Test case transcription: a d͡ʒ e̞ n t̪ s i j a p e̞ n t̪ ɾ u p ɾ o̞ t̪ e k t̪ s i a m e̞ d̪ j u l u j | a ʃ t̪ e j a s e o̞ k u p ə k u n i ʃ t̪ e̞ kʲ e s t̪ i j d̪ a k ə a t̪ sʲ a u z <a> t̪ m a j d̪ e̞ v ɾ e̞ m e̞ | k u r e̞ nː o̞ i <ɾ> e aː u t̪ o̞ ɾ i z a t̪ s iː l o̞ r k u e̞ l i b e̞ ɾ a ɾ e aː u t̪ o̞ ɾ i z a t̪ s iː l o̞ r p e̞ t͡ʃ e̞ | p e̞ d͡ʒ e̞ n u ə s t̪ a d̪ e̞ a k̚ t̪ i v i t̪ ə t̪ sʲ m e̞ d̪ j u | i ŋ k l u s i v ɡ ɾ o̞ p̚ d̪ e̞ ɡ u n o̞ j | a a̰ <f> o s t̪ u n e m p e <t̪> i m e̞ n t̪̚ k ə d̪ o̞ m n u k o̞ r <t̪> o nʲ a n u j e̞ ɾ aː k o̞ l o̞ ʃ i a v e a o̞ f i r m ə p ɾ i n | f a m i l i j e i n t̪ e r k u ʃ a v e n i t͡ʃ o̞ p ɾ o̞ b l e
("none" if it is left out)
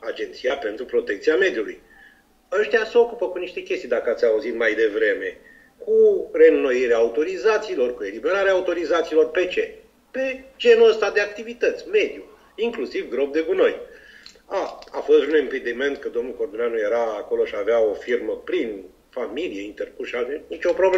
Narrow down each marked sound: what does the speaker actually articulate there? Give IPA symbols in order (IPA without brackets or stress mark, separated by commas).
i, ɾ, f, d̪, d̪